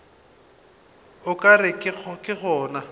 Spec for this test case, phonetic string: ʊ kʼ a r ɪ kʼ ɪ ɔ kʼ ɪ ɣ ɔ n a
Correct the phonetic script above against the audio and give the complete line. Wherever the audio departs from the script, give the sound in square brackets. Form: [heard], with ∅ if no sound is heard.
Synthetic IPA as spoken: ʊ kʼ a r ɪ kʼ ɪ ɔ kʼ ɪ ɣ [ɔː] n a